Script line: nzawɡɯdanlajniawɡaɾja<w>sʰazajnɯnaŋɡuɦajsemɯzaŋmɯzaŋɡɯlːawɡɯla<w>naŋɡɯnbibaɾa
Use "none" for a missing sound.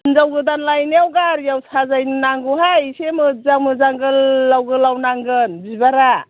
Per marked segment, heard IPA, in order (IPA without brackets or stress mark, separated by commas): w, w